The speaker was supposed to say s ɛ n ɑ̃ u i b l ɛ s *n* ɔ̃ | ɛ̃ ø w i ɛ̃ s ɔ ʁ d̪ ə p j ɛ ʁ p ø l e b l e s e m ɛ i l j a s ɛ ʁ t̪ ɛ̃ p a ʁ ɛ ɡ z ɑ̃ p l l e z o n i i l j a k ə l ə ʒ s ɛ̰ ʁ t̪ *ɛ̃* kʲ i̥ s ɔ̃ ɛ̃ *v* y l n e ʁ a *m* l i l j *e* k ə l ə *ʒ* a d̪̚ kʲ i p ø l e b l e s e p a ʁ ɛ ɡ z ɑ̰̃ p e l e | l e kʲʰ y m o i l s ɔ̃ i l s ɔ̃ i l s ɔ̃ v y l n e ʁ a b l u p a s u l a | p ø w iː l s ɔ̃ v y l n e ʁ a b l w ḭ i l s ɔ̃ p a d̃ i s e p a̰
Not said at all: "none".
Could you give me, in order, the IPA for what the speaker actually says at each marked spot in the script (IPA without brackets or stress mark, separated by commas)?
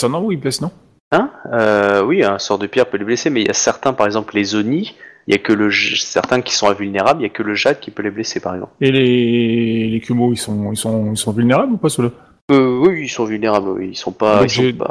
n, ɛ̃, v, b, a, ʒ